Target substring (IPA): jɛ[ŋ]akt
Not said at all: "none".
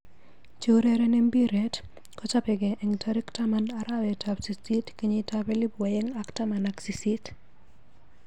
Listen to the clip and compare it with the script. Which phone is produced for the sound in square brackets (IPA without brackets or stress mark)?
ŋ